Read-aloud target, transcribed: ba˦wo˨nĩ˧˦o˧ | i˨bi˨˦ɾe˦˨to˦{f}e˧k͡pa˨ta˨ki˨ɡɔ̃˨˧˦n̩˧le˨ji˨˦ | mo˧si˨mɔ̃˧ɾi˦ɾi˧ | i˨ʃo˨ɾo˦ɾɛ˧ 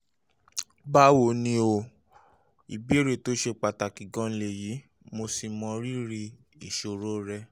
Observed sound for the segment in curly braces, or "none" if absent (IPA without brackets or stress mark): ʃ